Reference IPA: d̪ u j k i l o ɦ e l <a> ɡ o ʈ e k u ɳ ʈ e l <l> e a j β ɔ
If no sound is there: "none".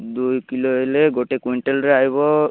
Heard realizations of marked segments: e, ɾ

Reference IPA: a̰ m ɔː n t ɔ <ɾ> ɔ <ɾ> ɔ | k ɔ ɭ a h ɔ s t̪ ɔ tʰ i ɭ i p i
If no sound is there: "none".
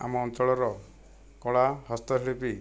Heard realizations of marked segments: ɭ, ɾ

